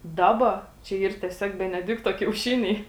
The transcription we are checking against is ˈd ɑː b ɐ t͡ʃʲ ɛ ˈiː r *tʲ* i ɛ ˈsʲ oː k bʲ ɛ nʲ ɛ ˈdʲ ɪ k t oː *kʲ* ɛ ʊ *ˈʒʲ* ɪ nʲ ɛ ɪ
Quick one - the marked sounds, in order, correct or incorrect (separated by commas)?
correct, correct, incorrect